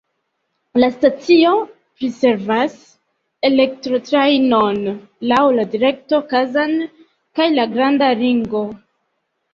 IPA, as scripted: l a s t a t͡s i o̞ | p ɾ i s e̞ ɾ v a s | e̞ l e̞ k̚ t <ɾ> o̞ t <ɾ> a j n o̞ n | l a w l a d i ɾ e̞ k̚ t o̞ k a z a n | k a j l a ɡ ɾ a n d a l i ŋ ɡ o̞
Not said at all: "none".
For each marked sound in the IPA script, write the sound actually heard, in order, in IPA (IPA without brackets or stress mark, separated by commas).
ɾ, ɾ